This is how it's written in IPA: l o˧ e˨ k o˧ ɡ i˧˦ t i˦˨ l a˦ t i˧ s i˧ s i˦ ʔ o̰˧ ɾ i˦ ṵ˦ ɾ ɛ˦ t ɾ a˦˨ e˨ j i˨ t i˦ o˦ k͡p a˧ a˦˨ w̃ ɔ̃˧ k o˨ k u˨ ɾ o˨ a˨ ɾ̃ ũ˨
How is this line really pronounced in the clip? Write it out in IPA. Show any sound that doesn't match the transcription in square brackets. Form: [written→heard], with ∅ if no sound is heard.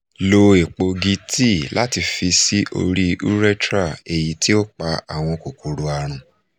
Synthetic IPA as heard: l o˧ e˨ [k→k͡p] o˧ ɡ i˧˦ t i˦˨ l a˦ t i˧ [s→f] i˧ s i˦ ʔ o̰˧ ɾ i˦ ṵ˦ ɾ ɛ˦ t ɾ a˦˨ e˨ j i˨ t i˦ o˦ k͡p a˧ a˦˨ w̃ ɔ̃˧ k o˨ k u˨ ɾ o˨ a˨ ɾ̃ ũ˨